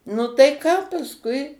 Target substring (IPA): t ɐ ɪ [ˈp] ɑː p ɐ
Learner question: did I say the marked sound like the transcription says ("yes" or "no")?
no